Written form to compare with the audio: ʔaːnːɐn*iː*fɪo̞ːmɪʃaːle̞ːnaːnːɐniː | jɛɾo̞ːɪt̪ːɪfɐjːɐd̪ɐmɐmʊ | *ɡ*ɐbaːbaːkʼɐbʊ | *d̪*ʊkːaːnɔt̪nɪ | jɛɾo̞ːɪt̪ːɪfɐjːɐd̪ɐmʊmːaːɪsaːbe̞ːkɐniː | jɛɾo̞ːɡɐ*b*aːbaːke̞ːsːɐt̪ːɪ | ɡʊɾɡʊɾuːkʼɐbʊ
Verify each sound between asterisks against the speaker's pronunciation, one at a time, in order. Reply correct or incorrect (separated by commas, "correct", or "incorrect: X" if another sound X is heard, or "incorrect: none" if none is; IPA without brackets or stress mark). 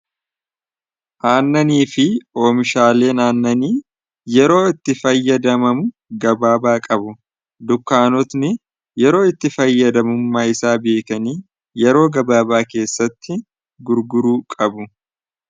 correct, correct, correct, correct